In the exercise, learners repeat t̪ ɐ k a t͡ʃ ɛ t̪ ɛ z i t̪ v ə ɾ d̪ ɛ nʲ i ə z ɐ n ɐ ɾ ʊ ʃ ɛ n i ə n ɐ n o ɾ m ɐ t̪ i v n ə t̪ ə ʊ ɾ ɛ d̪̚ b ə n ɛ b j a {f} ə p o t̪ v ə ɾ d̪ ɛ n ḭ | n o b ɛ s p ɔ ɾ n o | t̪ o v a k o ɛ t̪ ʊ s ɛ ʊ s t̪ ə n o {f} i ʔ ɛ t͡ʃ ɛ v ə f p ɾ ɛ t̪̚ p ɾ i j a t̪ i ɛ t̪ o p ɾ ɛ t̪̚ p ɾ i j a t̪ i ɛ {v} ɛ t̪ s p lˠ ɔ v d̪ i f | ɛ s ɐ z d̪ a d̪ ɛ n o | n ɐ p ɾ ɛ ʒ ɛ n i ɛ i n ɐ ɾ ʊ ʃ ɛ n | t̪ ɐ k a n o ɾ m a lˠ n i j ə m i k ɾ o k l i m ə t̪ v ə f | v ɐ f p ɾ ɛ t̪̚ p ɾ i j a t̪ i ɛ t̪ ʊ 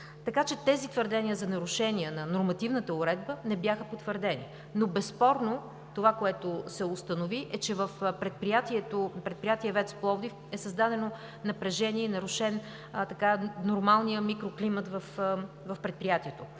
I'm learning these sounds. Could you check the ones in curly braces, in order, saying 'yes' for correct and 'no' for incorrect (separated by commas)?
no, no, yes